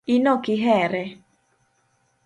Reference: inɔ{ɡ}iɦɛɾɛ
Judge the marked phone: incorrect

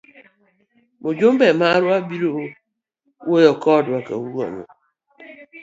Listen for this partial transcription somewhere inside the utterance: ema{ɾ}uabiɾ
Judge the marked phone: correct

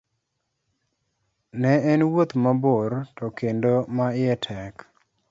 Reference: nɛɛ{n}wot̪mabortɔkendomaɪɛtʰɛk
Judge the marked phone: correct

